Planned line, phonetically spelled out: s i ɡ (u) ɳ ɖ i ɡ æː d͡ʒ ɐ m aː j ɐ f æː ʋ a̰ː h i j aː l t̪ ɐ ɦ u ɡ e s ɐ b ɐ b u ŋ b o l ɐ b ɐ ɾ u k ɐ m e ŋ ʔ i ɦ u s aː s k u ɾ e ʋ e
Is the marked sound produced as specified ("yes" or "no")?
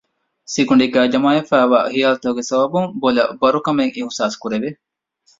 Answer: yes